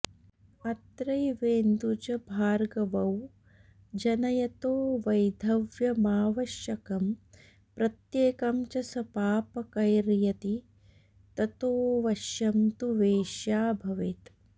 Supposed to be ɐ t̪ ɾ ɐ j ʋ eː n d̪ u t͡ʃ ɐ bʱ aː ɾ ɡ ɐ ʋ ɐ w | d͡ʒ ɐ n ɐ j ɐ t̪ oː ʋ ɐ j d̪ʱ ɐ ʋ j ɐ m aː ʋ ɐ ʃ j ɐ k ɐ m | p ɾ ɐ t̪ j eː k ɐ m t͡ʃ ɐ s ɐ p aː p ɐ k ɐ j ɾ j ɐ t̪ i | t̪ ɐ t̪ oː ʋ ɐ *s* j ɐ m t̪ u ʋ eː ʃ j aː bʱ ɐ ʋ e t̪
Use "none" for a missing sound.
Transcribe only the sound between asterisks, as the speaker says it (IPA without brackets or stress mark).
ʃ